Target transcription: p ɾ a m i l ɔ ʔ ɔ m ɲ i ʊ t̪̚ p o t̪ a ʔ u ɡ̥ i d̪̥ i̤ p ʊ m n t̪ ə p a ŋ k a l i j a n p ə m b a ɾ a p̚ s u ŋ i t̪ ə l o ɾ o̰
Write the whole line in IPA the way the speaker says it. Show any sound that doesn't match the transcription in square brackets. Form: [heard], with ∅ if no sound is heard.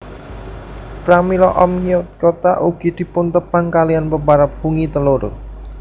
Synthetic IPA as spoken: p ɾ a m i l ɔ ʔ ɔ m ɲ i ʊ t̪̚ [k] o t̪ a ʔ u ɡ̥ i d̪̥ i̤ p ʊ [∅] n t̪ ə p a ŋ k a l i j a n p ə m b a ɾ a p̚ [f] u ŋ i t̪ ə l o ɾ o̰